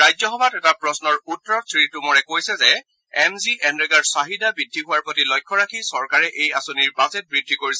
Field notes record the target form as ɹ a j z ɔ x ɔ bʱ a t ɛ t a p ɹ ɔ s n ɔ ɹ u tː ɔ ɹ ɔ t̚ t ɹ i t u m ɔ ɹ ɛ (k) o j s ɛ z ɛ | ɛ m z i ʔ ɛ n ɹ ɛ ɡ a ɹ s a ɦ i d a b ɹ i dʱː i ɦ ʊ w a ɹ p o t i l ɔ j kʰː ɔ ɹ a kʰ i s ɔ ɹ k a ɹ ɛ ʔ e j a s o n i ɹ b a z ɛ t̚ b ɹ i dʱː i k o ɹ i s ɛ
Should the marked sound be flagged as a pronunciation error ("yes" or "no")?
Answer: no